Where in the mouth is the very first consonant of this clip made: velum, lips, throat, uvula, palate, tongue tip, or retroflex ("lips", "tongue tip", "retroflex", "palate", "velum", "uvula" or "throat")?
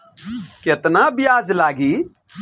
velum